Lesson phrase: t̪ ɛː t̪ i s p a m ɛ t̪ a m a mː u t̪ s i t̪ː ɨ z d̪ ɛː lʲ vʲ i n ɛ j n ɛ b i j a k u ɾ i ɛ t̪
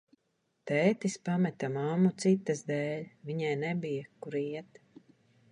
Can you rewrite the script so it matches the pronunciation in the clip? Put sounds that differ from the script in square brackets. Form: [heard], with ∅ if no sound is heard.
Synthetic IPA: t̪ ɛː t̪ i s p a m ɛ t̪ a m a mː u t̪ s i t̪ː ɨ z d̪ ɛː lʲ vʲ i [ɲ] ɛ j n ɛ b i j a k u ɾ i ɛ t̪